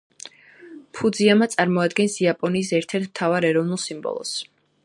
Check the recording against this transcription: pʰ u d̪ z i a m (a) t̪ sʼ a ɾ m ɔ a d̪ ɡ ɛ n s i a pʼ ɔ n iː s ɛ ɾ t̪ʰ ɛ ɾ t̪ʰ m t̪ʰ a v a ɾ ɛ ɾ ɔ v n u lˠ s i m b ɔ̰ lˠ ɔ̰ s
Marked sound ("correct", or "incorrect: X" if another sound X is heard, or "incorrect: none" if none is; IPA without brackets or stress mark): correct